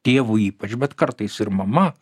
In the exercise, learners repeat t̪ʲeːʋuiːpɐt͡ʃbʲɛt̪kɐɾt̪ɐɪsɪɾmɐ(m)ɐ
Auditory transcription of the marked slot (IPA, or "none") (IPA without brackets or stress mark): m